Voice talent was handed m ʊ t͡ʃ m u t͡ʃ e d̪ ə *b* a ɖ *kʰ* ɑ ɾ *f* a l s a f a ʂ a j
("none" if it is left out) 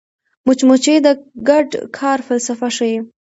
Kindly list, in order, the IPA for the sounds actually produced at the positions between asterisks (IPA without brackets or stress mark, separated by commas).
ɡ, kʰ, f